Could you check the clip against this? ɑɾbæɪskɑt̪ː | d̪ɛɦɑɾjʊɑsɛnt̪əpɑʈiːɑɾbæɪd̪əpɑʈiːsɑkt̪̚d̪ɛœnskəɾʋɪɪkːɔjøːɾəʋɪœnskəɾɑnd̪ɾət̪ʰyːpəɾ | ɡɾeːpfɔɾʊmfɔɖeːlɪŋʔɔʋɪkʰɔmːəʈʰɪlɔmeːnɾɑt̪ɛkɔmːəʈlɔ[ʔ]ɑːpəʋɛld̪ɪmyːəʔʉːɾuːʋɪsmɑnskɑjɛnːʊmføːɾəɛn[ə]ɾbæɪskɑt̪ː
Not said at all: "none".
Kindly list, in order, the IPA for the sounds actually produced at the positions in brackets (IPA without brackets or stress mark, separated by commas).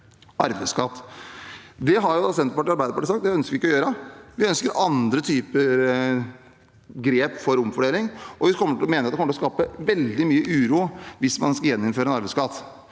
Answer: k, ɑ